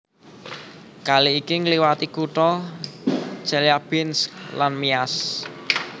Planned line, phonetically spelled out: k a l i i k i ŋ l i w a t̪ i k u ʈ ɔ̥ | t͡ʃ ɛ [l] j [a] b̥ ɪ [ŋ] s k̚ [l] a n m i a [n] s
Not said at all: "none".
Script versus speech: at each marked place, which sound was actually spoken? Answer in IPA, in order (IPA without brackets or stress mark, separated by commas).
l, a, n, l, none